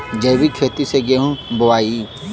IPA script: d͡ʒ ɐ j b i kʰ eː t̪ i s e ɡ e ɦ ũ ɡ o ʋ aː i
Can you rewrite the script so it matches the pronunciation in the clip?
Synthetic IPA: d͡ʒ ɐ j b i kʰ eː t̪ i s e ɡ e ɦ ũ b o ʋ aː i